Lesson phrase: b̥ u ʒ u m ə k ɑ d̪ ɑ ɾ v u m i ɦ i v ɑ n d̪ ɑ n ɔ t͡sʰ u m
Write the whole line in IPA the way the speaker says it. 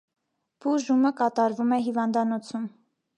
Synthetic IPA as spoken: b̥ u ʒ u m ə k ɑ t̪ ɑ ɾ v u m ɛ ɦ i v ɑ n d̪ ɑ n ɔ t͡sʰ u m